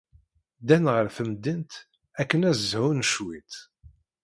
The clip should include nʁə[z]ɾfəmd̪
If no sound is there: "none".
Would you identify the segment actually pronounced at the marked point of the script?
none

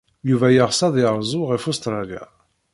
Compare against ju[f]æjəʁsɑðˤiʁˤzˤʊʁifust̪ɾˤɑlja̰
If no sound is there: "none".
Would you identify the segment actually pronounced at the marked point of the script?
v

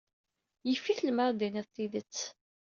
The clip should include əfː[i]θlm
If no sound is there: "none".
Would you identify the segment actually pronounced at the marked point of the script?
i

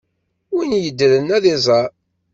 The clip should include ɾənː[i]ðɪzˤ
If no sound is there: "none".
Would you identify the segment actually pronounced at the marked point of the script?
æ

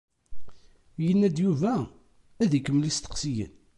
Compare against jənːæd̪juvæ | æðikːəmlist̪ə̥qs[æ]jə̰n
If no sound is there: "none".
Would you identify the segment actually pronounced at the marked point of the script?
i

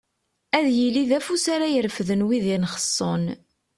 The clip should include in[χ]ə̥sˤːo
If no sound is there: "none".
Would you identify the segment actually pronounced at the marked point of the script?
χ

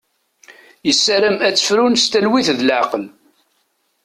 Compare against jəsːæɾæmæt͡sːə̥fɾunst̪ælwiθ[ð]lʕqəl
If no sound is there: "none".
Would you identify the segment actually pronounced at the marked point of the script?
ð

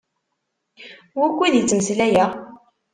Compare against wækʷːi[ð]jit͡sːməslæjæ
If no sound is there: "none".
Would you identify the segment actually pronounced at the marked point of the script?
ð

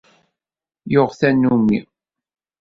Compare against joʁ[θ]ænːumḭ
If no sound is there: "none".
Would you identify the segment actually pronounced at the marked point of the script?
θ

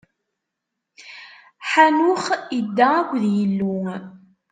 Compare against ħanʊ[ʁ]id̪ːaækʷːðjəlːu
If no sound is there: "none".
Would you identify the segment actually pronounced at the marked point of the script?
χ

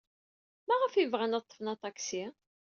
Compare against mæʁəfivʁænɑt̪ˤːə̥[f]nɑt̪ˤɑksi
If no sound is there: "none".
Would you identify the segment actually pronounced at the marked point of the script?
f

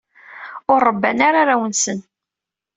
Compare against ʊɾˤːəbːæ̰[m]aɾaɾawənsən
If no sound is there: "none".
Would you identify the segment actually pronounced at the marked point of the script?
n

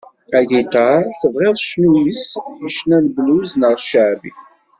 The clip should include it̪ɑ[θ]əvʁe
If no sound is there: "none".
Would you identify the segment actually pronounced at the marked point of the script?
θ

